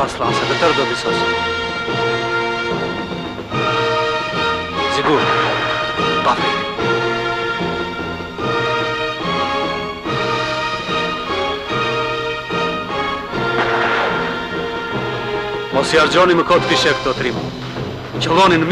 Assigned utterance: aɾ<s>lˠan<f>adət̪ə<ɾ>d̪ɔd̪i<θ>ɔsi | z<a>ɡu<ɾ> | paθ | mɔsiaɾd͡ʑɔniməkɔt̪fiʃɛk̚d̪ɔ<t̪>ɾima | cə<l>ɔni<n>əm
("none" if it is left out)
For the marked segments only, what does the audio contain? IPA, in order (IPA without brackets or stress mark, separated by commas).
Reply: s, s, ɾ, s, i, ɾ, t̪, l, n